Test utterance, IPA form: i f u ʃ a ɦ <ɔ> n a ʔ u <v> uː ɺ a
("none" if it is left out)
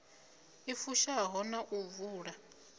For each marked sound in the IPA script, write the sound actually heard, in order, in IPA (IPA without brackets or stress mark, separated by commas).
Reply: ɔ, v